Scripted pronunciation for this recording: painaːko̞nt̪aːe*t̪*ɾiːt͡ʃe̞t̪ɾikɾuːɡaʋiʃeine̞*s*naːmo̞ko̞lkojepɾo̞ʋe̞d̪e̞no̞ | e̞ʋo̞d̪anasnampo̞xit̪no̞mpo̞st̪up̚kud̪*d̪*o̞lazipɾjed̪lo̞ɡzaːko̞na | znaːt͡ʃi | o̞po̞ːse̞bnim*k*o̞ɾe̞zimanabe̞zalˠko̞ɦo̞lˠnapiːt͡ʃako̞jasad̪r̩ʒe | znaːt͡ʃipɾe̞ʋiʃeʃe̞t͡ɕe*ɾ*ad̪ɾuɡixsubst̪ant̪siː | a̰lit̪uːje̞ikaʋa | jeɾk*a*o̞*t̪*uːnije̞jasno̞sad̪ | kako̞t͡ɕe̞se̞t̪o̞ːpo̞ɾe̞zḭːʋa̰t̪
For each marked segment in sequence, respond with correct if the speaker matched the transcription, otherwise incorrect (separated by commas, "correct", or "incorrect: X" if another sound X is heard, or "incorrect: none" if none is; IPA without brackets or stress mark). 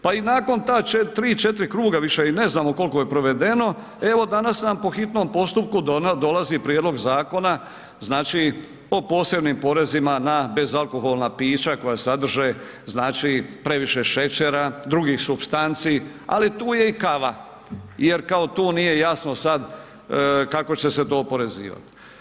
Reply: correct, incorrect: z, correct, incorrect: p, correct, correct, correct